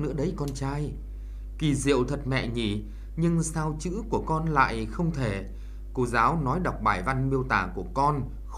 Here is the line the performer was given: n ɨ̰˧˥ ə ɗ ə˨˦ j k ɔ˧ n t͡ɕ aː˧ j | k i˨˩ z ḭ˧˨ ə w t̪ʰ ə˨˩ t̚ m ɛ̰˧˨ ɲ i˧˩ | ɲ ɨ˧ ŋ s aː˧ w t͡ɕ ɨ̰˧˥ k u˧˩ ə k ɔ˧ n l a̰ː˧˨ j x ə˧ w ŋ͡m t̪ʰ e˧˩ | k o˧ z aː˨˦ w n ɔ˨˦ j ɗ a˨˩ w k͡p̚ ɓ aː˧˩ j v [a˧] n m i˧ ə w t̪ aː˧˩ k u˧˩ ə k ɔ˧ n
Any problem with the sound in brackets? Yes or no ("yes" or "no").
no